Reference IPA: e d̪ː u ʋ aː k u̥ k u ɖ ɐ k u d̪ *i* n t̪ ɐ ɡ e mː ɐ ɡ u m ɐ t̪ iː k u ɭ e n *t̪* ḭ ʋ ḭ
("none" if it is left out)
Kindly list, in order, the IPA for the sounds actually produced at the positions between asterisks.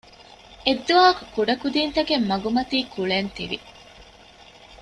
iː, t̪

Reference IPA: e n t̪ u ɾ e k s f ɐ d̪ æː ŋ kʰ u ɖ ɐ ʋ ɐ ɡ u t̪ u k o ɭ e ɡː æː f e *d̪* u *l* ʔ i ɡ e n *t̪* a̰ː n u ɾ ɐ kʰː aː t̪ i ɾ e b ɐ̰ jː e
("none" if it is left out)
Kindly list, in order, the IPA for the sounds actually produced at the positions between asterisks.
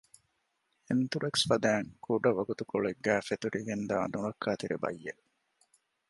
t̪, ɾ, d̪

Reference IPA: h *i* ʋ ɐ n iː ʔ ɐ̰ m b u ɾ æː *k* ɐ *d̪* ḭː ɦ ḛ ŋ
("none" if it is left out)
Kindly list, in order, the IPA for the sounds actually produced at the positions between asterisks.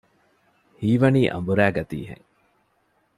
iː, ɡ, t̪

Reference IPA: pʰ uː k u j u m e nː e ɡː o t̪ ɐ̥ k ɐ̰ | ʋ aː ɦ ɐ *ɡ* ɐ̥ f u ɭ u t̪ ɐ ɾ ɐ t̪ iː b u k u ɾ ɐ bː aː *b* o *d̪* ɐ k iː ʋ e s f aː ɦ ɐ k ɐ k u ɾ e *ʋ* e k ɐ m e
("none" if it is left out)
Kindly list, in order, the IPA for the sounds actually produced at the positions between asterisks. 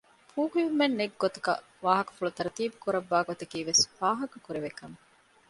k, ɡ, t̪, ʋ

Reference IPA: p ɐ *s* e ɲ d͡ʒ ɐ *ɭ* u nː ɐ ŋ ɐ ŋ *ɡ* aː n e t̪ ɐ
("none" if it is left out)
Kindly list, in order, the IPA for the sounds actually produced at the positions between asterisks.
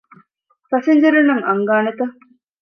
s, ɾ, ɡ

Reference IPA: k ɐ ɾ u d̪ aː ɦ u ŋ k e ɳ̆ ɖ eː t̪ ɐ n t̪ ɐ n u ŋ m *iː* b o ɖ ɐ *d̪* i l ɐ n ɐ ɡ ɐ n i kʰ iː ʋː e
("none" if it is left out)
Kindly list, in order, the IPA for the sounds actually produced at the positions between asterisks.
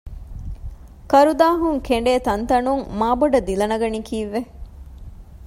aː, d̪

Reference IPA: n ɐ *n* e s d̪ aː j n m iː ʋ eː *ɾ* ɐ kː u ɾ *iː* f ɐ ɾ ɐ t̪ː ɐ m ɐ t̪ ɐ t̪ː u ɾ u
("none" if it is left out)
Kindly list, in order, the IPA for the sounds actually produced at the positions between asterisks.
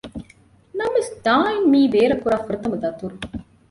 m, ɾ, aː

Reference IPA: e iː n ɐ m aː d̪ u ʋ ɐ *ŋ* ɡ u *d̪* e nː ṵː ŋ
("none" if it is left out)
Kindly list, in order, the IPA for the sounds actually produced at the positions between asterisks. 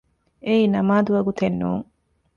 none, t̪

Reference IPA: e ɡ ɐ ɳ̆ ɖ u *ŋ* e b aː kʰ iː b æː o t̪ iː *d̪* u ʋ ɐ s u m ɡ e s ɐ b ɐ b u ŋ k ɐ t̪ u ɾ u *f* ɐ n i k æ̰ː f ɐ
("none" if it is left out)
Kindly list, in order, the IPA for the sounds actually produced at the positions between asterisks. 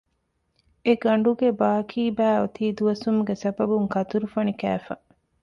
ɡ, d̪, f

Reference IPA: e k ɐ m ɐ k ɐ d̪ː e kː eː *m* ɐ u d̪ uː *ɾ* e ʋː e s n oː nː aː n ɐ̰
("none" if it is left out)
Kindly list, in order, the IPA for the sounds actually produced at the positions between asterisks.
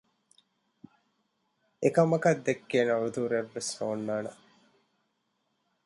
n, ɾ

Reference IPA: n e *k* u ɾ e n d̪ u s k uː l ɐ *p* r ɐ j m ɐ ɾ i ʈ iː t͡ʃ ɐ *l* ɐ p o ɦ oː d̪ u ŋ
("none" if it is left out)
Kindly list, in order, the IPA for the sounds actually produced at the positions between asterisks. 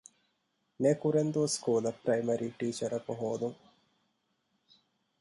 k, p, ɾ

